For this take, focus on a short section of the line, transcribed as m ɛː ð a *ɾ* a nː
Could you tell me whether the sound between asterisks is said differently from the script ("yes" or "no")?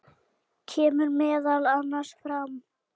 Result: yes